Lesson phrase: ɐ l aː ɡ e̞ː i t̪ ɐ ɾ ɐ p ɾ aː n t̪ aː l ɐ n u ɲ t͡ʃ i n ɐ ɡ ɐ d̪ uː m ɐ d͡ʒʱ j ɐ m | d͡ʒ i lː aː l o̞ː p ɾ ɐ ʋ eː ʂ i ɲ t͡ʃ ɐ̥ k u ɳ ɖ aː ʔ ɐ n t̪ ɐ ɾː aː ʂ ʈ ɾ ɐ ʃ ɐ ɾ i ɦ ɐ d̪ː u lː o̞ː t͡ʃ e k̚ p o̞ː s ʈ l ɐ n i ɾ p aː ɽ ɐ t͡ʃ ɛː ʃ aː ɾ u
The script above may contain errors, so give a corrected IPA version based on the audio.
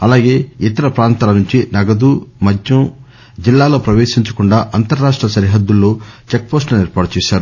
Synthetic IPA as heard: ɐ l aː ɡ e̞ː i t̪ ɐ ɾ ɐ p ɾ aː n t̪ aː l ɐ n u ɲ t͡ʃ i n ɐ ɡ ɐ d̪ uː m ɐ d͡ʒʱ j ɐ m | d͡ʒ i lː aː l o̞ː p ɾ ɐ ʋ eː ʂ i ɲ t͡ʃ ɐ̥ k u ɳ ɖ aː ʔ ɐ n t̪ ɐ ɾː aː ʂ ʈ ɾ ɐ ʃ ɐ ɾ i ɦ ɐ d̪ː u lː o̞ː t͡ʃ e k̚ p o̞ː s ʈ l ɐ n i ɾ p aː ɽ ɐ t͡ʃ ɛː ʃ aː ɾ u